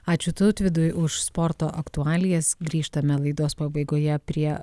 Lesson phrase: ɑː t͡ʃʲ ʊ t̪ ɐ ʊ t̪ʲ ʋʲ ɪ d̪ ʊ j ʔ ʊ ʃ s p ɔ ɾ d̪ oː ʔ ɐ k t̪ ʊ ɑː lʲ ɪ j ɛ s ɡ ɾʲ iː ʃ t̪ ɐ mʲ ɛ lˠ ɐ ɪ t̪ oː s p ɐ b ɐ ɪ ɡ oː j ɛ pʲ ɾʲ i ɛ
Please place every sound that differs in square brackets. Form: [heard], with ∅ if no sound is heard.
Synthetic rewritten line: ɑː t͡ʃʲ ʊ t̪ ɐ ʊ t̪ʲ ʋʲ ɪ d̪ ʊ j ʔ ʊ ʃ s p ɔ ɾ [t̪] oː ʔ ɐ k t̪ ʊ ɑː lʲ ɪ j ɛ s ɡ ɾʲ iː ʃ t̪ ɐ mʲ ɛ lˠ ɐ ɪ [d̪] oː s p ɐ b ɐ ɪ ɡ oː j ɛ pʲ ɾʲ i ɛ

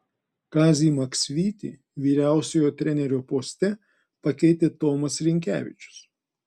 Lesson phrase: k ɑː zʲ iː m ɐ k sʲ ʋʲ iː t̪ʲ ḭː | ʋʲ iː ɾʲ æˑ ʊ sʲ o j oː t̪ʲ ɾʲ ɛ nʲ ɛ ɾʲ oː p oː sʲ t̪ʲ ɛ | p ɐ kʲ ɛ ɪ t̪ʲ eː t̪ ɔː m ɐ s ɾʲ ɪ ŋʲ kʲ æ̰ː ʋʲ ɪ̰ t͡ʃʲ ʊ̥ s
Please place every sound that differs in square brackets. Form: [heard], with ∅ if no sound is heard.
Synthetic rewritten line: k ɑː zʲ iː m ɐ k sʲ ʋʲ iː t̪ʲ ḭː | ʋʲ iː ɾʲ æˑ ʊ sʲ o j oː t̪ʲ ɾʲ ɛ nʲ ɛ ɾʲ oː p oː sʲ t̪ʲ ɛ | p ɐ kʲ ɛ ɪ t̪ʲ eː t̪ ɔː m ɐ s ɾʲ ɪ ŋʲ kʲ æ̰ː ʋʲ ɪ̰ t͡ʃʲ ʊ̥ s

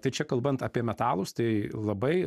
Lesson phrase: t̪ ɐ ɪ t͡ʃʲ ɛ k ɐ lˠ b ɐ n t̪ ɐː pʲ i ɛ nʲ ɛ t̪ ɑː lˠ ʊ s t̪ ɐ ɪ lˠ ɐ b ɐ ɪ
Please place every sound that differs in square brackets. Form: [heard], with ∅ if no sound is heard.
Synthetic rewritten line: t̪ ɐ ɪ t͡ʃʲ ɛ k ɐ lˠ b ɐ n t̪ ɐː pʲ i ɛ [mʲ] ɛ t̪ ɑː lˠ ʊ s t̪ ɐ ɪ lˠ ɐ b ɐ ɪ

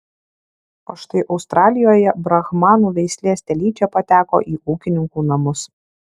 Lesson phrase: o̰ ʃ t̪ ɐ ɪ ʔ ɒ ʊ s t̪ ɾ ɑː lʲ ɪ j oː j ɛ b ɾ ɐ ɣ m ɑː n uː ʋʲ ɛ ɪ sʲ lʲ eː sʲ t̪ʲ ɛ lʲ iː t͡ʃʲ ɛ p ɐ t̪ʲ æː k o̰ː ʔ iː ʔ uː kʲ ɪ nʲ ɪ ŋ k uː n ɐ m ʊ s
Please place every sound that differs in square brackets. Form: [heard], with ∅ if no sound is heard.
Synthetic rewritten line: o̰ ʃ t̪ ɐ ɪ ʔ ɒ ʊ s t̪ ɾ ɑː lʲ ɪ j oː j ɛ b ɾ ɐ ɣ m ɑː n uː ʋʲ ɛ ɪ sʲ lʲ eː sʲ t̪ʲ ɛ lʲ iː t͡ʃʲ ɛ p ɐ t̪ʲ æː k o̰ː ʔ iː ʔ uː kʲ ɪ nʲ ɪ ŋ k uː n ɐ m ʊ s

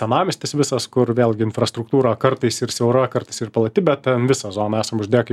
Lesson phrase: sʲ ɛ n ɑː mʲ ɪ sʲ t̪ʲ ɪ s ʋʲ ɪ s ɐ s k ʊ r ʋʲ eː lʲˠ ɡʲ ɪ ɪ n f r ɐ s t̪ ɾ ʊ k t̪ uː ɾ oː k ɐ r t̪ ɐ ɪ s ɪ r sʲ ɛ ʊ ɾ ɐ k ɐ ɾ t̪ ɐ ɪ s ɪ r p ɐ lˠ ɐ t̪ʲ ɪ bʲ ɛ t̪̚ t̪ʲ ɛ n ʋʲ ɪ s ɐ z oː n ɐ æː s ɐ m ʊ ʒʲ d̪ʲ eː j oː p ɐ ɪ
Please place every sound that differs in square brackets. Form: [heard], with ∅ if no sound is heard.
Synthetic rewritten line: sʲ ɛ n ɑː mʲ ɪ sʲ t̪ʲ ɪ s ʋʲ ɪ s ɐ s k ʊ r ʋʲ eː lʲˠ ɡʲ ɪ ɪ n f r ɐ s t̪ ɾ ʊ k t̪ uː ɾ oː k ɐ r t̪ ɐ ɪ s ɪ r sʲ ɛ ʊ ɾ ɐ k ɐ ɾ t̪ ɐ ɪ s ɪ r p ɐ lˠ ɐ t̪ʲ ɪ bʲ ɛ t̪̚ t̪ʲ ɛ n ʋʲ ɪ s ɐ z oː n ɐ æː s ɐ m ʊ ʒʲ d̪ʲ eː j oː [k] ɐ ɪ

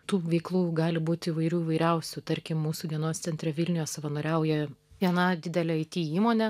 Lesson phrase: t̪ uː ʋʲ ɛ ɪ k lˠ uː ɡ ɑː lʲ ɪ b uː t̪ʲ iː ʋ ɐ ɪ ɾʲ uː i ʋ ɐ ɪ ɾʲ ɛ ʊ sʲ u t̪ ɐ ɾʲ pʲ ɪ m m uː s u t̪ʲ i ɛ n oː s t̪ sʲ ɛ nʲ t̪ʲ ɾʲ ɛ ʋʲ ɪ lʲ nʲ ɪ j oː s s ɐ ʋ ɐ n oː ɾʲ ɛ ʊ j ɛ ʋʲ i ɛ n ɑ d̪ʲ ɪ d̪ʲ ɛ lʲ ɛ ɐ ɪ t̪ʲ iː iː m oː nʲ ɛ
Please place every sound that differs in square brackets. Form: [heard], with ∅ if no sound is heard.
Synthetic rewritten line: t̪ uː ʋʲ ɛ ɪ k lˠ uː ɡ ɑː lʲ ɪ b uː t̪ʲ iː ʋ ɐ ɪ ɾʲ uː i ʋ ɐ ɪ ɾʲ ɛ ʊ sʲ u t̪ ɐ ɾʲ [kʲ] ɪ m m uː s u [d̪ʲ] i ɛ n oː s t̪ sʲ ɛ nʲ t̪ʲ ɾʲ ɛ ʋʲ ɪ lʲ nʲ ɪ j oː s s ɐ ʋ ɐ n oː ɾʲ ɛ ʊ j ɛ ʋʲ i ɛ n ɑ d̪ʲ ɪ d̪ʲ ɛ lʲ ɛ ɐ ɪ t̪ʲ iː iː m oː nʲ ɛ

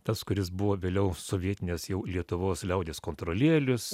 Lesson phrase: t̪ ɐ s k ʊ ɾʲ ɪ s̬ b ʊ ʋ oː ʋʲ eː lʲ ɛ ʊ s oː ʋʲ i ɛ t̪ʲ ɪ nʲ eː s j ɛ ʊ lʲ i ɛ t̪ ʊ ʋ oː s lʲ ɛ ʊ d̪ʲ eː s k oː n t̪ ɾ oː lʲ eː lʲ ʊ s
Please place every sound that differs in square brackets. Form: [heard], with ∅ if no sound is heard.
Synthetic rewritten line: t̪ ɐ s k ʊ ɾʲ ɪ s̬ b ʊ ʋ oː ʋʲ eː lʲ ɛ ʊ s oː ʋʲ i ɛ t̪ʲ ɪ nʲ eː s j ɛ ʊ lʲ i ɛ t̪ ʊ ʋ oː s lʲ ɛ ʊ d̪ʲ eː s k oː n t̪ ɾ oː lʲ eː lʲ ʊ s

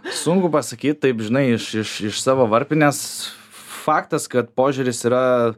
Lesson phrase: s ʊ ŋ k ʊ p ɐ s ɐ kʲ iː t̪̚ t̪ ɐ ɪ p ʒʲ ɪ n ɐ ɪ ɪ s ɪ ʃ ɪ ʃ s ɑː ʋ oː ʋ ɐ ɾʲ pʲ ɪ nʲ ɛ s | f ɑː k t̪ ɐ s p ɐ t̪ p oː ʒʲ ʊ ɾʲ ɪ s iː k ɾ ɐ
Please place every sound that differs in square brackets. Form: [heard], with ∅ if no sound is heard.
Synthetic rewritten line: s ʊ ŋ k ʊ p ɐ s ɐ kʲ iː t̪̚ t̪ ɐ ɪ p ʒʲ ɪ n ɐ ɪ ɪ [ʃ] ɪ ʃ ɪ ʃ s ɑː ʋ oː ʋ ɐ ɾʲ pʲ ɪ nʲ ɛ s | f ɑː k t̪ ɐ s [k] ɐ t̪ p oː ʒʲ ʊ ɾʲ ɪ s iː [∅] ɾ ɐ

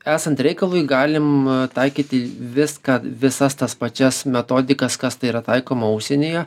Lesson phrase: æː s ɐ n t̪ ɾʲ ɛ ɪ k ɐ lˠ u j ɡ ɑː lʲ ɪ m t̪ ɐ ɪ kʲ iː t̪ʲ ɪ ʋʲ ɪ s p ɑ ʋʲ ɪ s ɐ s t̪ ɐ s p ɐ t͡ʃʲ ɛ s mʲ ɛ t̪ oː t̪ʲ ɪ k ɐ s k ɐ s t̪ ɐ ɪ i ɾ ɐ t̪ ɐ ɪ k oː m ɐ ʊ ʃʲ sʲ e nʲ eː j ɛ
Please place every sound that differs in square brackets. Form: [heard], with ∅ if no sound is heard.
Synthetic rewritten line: æː s ɐ n t̪ ɾʲ ɛ ɪ k ɐ lˠ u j ɡ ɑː lʲ ɪ m t̪ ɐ ɪ kʲ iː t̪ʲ ɪ ʋʲ ɪ s [k] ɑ ʋʲ ɪ s ɐ s t̪ ɐ s p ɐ t͡ʃʲ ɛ s mʲ ɛ t̪ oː [d̪ʲ] ɪ k ɐ s k ɐ s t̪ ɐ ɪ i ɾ ɐ t̪ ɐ ɪ k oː m ɐ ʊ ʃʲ sʲ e nʲ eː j ɛ

